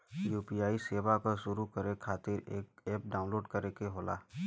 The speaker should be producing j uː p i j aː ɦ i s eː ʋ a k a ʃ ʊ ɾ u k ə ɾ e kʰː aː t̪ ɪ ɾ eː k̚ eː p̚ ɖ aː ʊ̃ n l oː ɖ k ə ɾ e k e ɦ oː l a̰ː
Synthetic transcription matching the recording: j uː p i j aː i s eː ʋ a k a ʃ ʊ ɾ u k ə ɾ e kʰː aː t̪ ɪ ɾ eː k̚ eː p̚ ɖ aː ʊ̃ n l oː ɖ k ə ɾ e k e ɦ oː l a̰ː